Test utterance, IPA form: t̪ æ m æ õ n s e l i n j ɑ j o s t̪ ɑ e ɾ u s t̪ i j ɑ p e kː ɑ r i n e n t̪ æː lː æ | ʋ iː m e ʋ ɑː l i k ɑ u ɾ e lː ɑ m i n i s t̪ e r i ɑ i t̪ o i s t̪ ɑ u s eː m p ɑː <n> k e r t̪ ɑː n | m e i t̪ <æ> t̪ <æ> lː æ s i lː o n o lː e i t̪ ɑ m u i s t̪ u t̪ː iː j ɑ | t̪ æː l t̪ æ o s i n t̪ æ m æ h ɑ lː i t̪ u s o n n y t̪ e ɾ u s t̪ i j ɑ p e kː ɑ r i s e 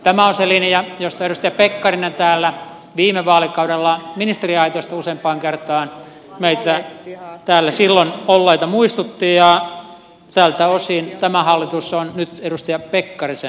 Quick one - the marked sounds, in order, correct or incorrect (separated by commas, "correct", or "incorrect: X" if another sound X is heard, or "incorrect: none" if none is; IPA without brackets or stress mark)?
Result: incorrect: ŋ, correct, incorrect: æː